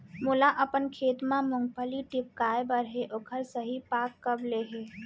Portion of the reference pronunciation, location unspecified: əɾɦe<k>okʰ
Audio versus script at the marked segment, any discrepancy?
yes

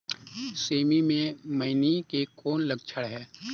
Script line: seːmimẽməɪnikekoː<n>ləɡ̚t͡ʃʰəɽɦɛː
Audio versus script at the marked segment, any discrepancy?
no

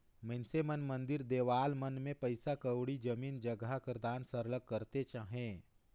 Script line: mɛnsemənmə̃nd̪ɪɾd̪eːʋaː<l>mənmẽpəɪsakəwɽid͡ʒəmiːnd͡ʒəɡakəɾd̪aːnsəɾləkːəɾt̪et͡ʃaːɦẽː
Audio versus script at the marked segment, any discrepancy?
no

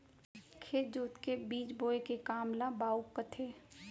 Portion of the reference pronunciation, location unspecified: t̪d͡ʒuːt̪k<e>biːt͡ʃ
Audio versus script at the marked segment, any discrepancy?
no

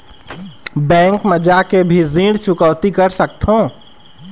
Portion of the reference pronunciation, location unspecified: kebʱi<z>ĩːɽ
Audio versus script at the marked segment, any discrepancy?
no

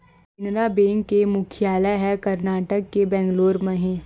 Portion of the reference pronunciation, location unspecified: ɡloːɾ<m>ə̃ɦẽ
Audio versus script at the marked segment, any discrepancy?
no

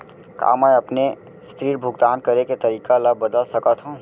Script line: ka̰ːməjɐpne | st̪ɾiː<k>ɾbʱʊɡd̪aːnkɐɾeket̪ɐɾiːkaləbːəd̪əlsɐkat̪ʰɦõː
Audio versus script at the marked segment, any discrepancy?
yes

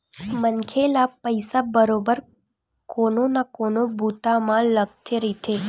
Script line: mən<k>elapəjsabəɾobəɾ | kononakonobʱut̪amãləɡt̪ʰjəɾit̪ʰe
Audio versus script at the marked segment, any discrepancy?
yes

